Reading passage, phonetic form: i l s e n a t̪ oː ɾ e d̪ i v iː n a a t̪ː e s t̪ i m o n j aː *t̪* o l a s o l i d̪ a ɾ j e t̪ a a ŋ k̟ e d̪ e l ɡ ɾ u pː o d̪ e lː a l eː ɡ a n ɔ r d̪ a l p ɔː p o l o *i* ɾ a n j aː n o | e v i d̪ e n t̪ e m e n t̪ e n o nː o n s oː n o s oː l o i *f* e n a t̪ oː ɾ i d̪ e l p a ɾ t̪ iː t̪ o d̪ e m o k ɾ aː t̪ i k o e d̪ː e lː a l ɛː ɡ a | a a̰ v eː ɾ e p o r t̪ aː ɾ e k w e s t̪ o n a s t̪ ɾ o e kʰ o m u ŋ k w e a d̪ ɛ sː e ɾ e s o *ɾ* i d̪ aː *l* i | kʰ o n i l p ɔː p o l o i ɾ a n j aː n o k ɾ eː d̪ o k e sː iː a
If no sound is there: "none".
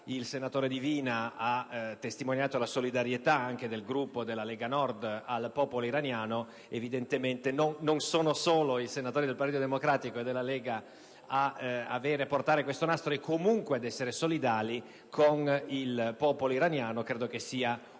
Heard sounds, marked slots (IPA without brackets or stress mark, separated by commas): t̪, i, s, l, l